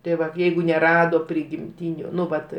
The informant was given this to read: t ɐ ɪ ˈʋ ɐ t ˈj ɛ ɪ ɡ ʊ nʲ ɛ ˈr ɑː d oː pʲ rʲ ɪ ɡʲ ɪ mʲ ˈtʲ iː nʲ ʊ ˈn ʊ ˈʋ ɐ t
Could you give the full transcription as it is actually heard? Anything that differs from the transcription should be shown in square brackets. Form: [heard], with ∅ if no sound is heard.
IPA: t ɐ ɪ ˈʋ ɐ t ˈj ɛ ɪ ɡ ʊ nʲ ɛ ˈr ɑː d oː pʲ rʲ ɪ ɡʲ ɪ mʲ ˈtʲ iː nʲ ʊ ˈn ʊ ˈʋ ɐ t